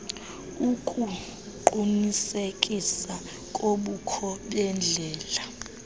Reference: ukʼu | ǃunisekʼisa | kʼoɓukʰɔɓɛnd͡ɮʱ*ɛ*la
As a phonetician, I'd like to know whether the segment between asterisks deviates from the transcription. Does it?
yes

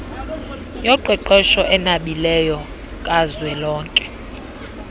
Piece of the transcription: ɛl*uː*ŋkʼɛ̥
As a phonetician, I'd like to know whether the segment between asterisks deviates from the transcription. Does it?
yes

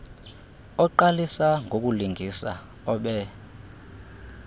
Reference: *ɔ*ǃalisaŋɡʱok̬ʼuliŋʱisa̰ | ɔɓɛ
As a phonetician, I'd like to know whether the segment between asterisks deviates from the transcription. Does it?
no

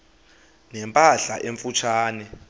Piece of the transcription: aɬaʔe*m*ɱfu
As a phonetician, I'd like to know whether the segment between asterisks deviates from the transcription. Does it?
yes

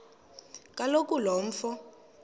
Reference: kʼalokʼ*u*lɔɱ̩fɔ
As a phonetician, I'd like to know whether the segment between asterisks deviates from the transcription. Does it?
no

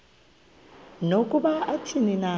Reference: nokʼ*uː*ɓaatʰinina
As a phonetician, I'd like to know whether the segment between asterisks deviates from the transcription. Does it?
yes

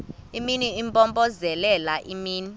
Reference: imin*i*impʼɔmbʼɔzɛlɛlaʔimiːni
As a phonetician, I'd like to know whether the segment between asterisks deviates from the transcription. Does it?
no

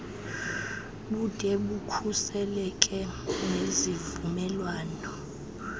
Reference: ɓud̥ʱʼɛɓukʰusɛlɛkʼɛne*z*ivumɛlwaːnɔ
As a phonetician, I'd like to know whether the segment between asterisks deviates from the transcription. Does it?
no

